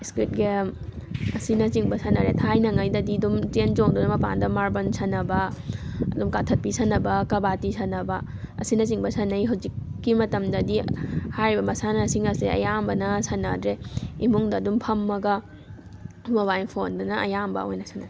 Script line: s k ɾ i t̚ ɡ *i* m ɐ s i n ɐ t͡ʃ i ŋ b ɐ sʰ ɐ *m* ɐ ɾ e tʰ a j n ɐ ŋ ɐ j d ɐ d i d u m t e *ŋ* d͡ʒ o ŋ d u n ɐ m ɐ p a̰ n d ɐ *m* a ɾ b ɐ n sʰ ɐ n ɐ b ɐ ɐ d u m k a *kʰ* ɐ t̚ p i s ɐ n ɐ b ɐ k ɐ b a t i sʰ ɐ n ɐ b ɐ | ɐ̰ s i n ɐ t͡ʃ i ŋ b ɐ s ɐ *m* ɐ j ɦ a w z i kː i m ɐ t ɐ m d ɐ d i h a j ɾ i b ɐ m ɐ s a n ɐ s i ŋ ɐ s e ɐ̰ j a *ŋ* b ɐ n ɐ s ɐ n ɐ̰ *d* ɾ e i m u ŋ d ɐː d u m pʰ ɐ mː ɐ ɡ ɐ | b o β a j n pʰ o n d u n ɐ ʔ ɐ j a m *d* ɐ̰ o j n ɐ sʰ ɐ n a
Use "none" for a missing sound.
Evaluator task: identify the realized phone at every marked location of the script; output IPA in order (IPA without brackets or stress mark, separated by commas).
e, n, n, m, tʰ, n, m, d, b